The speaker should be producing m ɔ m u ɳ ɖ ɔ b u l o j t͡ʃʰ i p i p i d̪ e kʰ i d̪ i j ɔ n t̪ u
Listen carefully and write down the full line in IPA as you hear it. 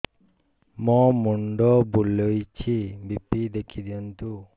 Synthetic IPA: m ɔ m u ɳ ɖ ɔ b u l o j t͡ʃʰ i b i p i d̪ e kʰ i d̪ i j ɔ n t̪ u